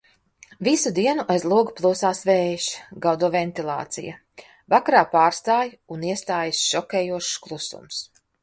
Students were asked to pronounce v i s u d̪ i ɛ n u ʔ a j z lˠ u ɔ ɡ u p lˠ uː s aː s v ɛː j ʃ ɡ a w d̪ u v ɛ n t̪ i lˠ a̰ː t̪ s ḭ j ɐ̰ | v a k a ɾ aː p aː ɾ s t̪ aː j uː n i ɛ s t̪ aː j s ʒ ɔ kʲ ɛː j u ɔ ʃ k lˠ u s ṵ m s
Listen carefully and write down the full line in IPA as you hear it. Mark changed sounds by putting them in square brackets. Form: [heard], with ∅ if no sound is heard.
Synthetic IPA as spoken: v i s u d̪ i ɛ n u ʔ a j z lˠ u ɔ ɡ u p lˠ uː s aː s v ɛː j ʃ ɡ a w d̪ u v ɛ n t̪ i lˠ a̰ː t̪ s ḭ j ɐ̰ | v a k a ɾ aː p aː ɾ s t̪ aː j [u] n i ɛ s t̪ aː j s [ʃ] ɔ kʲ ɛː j u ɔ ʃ k lˠ u s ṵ m s